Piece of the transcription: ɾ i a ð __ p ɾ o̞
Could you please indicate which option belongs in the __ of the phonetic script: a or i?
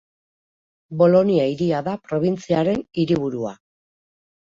a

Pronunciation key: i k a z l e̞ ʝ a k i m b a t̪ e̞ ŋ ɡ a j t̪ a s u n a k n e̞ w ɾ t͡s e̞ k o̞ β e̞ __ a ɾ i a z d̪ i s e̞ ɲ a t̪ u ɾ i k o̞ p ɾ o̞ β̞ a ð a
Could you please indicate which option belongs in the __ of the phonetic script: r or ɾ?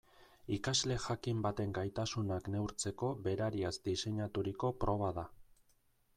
ɾ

